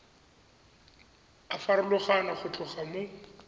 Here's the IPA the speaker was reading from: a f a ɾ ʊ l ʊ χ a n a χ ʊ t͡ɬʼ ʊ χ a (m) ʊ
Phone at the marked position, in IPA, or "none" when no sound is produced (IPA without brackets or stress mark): m